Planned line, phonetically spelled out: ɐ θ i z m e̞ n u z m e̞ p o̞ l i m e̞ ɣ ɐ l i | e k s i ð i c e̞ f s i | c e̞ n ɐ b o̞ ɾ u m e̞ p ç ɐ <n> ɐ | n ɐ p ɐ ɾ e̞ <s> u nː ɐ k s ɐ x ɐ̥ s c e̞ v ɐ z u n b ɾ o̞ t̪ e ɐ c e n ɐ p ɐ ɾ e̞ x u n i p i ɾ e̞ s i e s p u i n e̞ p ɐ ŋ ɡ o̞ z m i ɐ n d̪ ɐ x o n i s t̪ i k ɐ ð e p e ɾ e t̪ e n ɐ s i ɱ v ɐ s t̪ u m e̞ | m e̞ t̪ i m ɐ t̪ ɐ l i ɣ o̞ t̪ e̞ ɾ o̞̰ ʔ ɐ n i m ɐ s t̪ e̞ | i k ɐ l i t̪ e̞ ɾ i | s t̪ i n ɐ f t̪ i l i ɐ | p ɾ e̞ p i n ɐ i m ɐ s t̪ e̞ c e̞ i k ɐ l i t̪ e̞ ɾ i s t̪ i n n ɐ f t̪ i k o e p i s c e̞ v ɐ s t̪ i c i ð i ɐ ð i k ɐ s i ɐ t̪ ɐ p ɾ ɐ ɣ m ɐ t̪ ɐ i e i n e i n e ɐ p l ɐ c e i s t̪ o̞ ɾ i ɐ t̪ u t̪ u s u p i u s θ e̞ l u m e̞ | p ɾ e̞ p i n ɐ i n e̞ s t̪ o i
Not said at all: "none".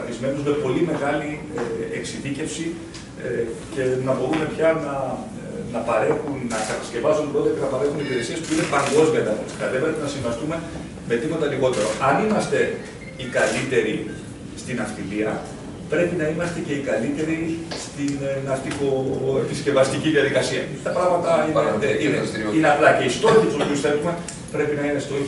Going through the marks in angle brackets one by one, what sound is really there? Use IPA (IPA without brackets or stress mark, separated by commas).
n, x